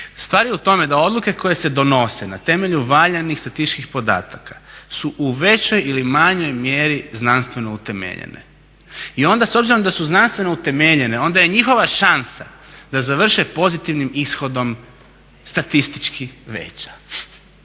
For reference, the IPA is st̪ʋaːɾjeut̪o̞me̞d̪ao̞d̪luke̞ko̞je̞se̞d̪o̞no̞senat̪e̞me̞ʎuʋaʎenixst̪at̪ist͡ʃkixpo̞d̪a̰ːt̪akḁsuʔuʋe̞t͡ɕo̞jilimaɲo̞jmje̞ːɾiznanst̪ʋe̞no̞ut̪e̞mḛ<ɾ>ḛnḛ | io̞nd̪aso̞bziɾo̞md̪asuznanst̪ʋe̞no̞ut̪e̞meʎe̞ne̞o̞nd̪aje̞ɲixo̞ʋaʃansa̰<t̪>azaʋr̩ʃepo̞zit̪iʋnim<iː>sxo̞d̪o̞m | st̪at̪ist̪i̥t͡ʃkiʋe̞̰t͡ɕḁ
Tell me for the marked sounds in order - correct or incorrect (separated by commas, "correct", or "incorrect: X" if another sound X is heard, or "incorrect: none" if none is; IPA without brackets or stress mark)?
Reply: incorrect: ʎ, incorrect: d̪, incorrect: i